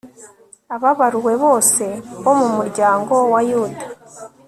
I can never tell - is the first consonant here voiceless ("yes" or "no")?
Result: no